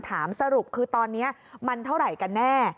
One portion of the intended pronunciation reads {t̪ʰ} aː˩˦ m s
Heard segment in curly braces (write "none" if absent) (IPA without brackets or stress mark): t̪ʰ